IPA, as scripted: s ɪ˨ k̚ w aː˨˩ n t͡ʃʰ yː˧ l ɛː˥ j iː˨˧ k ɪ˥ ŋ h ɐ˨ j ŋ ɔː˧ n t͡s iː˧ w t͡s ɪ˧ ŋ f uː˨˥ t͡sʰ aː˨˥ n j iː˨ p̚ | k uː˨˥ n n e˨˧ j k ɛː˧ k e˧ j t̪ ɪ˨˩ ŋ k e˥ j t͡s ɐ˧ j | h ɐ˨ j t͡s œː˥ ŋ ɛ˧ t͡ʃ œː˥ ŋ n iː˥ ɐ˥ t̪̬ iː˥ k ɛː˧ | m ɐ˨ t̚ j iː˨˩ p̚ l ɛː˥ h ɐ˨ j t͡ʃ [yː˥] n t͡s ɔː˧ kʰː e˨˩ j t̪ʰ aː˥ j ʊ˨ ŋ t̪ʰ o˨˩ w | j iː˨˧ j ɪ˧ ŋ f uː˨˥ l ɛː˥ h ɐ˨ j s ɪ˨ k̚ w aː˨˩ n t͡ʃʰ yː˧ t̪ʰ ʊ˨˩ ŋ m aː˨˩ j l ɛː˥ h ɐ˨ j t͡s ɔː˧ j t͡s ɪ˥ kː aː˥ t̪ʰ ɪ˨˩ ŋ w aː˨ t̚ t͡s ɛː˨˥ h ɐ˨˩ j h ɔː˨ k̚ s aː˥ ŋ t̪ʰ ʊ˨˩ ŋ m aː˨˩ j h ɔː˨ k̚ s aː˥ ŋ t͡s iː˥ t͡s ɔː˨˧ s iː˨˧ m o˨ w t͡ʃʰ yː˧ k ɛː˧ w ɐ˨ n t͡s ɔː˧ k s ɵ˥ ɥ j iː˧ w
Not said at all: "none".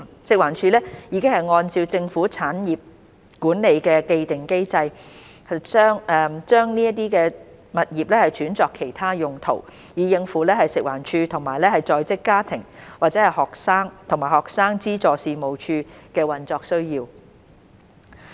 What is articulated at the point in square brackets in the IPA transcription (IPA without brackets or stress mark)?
yː˨˥